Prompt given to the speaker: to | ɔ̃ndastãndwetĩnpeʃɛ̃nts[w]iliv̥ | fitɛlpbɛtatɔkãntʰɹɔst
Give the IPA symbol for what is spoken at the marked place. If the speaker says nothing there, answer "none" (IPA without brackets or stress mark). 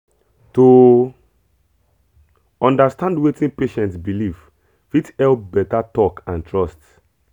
b